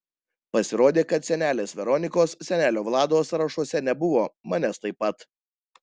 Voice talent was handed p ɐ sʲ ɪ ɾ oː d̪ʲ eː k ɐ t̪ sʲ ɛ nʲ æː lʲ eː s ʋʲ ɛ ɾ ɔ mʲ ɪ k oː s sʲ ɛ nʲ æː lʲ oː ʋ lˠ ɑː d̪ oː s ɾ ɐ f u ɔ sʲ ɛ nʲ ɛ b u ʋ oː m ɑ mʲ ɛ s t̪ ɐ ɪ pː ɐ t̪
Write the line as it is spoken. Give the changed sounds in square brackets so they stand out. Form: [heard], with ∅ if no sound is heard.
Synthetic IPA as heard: p ɐ sʲ ɪ ɾ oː d̪ʲ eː k ɐ t̪ sʲ ɛ nʲ æː lʲ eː s ʋʲ ɛ ɾ ɔ [nʲ] ɪ k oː s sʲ ɛ nʲ æː lʲ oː ʋ lˠ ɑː d̪ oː s ɾ ɐ [ʃ] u ɔ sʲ ɛ nʲ ɛ b [ʊ] ʋ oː m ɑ [nʲ] ɛ s t̪ ɐ ɪ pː ɐ t̪